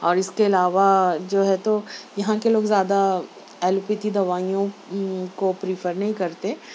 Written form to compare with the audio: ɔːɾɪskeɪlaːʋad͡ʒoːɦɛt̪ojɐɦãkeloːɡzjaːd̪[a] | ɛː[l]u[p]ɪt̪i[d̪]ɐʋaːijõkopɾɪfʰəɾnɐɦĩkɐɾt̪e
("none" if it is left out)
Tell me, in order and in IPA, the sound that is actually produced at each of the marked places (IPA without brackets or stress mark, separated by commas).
a, l, p, d̪